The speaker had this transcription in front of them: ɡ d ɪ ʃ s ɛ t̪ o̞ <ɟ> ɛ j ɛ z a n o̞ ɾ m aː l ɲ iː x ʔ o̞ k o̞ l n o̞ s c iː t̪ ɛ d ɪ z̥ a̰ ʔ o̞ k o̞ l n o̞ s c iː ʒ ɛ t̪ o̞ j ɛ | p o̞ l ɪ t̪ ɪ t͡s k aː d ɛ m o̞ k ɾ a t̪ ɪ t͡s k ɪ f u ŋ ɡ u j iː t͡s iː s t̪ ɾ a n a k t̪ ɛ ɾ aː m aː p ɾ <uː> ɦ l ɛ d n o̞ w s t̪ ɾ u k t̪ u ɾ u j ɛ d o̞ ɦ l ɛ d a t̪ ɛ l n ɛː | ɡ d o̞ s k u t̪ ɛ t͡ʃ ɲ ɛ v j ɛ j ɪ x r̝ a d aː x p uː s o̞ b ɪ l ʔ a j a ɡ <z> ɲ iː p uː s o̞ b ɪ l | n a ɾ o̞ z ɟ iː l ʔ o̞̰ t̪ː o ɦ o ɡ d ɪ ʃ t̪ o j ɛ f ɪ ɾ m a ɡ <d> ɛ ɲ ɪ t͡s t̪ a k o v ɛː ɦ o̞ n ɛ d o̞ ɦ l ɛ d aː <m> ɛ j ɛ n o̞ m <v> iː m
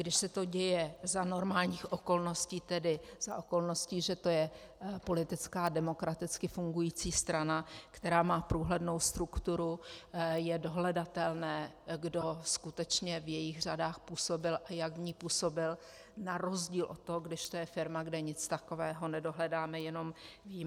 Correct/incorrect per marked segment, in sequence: correct, correct, incorrect, correct, correct, correct

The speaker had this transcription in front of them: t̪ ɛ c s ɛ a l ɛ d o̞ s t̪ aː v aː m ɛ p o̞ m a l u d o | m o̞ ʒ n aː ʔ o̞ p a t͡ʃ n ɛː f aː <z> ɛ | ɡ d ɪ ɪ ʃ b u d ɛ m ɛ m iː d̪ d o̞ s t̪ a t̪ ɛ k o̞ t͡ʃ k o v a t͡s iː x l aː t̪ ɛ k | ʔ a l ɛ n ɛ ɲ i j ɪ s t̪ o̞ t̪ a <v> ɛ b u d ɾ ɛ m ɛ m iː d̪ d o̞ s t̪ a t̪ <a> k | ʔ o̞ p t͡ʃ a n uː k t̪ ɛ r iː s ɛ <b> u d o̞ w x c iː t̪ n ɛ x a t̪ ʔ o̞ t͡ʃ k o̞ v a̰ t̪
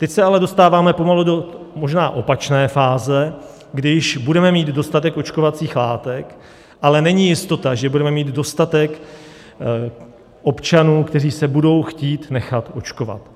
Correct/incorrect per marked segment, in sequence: correct, incorrect, incorrect, correct

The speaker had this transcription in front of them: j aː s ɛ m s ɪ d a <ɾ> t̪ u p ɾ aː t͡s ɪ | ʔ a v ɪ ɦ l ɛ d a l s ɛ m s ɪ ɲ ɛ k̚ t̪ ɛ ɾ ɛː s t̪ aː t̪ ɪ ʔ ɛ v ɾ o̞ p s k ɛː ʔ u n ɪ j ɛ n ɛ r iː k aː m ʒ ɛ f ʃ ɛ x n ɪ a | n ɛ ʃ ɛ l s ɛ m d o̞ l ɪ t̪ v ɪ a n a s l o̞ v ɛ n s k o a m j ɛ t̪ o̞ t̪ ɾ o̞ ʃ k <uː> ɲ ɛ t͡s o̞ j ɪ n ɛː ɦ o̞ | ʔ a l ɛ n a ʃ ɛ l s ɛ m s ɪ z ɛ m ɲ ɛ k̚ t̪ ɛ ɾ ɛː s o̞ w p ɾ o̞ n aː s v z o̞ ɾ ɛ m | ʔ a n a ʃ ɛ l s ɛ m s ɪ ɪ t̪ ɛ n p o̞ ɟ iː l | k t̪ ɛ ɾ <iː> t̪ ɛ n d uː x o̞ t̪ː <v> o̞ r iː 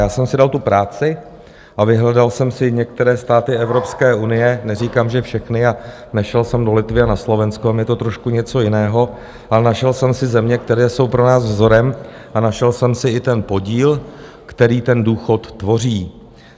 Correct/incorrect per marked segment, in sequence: incorrect, incorrect, correct, correct

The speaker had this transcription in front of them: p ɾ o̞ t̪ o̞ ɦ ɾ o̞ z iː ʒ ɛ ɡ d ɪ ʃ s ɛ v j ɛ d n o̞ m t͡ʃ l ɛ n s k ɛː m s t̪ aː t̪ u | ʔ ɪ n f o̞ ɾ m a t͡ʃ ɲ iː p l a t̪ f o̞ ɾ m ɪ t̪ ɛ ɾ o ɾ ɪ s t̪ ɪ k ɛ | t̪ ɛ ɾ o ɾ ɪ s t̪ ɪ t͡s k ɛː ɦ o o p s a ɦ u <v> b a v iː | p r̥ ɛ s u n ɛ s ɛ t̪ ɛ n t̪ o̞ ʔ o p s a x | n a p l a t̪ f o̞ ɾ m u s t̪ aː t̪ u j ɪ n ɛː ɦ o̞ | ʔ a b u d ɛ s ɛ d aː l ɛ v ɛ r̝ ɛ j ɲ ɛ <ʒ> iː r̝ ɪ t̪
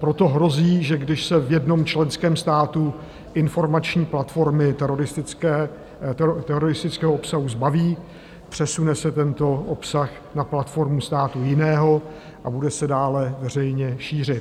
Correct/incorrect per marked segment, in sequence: incorrect, incorrect

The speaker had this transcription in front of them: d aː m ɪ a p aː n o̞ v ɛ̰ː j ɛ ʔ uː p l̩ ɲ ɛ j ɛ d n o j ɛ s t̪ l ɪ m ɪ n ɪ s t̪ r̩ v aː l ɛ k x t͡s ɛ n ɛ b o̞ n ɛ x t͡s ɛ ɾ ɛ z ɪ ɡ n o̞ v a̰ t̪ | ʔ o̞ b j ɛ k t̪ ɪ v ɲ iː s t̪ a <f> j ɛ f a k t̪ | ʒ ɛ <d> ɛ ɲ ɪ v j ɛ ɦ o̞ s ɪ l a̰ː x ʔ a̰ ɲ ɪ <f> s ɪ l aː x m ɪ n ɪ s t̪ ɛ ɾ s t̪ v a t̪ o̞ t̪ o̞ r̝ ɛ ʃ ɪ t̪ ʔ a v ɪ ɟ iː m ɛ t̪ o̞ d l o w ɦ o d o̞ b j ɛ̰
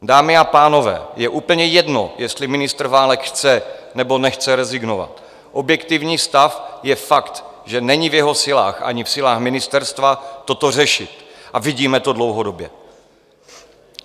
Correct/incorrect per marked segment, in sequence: correct, incorrect, correct

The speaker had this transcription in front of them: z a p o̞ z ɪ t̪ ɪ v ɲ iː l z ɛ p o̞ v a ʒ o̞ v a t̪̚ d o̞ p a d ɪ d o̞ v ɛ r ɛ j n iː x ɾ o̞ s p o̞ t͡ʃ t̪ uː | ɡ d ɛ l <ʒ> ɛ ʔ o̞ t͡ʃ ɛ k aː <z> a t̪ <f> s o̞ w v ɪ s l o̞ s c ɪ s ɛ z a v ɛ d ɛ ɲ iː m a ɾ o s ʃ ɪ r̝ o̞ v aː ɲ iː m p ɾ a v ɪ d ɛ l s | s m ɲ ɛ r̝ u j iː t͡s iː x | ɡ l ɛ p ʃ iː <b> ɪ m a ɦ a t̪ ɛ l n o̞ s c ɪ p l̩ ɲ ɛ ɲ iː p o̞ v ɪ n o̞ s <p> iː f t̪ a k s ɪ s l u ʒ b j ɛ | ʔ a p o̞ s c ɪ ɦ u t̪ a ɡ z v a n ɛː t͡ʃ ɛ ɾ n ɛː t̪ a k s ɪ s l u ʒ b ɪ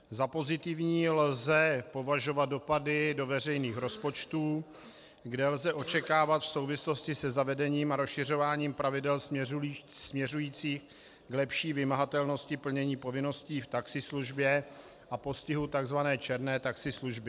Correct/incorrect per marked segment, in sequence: incorrect, incorrect, correct, incorrect, incorrect

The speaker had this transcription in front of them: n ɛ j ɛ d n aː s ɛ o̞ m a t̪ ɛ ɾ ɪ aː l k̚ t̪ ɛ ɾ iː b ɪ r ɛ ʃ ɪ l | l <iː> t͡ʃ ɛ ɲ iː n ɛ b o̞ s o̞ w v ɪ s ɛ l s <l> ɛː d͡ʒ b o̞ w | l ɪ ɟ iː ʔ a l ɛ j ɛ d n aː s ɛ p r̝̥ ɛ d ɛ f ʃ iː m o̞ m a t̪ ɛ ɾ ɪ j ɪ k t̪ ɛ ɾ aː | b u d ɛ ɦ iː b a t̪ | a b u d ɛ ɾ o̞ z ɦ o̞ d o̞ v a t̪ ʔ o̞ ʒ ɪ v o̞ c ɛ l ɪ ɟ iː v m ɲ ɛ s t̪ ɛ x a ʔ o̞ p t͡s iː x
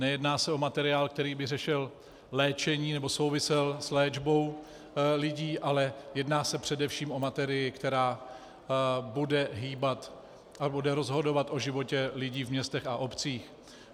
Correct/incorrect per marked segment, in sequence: incorrect, correct

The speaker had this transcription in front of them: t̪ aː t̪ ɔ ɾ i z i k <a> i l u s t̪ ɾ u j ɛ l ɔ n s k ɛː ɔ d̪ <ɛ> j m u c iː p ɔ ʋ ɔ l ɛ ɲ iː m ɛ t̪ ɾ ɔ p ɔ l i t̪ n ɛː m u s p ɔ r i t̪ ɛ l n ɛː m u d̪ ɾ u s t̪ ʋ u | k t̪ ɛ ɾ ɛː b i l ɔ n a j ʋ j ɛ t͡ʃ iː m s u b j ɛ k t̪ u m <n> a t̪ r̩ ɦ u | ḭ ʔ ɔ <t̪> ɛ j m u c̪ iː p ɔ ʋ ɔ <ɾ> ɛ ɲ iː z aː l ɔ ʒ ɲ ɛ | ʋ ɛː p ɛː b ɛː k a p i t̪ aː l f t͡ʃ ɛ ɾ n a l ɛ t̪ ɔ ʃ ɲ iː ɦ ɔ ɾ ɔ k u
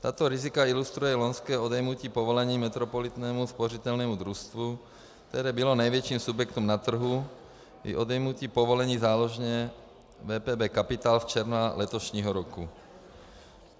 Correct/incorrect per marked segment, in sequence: correct, correct, correct, incorrect, incorrect

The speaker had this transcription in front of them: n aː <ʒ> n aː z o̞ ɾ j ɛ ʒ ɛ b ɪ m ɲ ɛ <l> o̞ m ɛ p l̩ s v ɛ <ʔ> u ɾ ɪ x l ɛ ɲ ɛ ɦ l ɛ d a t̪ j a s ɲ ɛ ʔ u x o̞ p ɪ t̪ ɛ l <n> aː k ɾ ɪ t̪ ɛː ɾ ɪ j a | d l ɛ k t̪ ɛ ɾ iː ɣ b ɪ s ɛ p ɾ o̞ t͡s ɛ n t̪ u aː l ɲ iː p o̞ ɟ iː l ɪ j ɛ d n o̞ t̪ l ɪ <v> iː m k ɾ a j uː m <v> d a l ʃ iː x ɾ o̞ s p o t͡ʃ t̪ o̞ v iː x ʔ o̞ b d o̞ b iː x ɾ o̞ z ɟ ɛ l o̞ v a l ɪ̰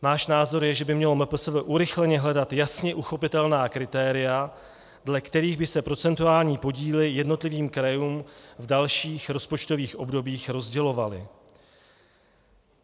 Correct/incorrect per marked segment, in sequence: incorrect, correct, correct, correct, correct, correct

